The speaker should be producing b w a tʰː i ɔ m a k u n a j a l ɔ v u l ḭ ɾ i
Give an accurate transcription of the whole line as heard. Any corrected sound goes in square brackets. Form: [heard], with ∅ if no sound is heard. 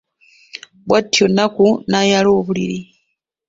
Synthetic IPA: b w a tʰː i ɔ [n] a k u n a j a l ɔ [β] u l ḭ ɾ i